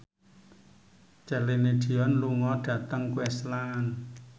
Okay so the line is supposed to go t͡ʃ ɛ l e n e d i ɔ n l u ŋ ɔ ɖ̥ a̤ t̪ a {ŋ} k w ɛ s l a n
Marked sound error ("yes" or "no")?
no